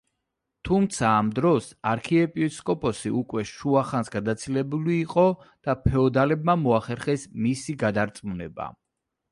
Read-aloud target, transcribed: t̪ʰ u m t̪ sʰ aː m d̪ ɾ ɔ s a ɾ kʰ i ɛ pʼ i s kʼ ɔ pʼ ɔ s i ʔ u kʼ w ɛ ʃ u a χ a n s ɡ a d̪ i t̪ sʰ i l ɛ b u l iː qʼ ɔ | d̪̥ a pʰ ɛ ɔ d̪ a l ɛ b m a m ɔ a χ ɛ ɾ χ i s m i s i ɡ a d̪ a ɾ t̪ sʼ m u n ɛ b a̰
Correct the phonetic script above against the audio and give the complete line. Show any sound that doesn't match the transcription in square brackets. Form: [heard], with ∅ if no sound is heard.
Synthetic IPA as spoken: t̪ʰ u m t̪ sʰ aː m d̪ ɾ ɔ s a ɾ kʰ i ɛ pʼ i s kʼ ɔ pʼ ɔ s i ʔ u kʼ w ɛ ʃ u a χ a n s ɡ a d̪ [a] t̪ sʰ i l ɛ b u l iː qʼ ɔ | d̪̥ a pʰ ɛ ɔ d̪ a l ɛ b m a m ɔ a χ ɛ ɾ χ [ɛ] s m i s i ɡ a d̪ a ɾ t̪ sʼ m u n ɛ b a̰